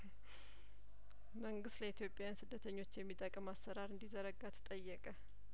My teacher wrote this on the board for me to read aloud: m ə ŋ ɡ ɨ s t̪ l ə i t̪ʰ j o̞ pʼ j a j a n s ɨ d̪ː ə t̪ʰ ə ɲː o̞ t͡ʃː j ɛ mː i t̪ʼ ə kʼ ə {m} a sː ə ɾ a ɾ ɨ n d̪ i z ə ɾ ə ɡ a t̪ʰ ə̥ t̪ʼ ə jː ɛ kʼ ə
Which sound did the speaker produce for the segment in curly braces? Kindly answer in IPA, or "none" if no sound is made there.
m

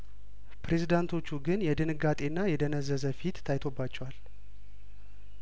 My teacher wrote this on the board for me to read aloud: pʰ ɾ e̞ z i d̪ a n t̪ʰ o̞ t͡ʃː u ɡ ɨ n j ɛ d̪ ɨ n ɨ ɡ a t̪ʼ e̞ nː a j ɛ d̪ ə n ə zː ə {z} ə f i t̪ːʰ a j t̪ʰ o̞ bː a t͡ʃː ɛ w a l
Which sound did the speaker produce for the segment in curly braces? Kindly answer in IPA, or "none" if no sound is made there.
z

